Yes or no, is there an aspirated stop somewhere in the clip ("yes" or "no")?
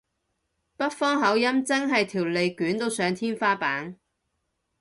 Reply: yes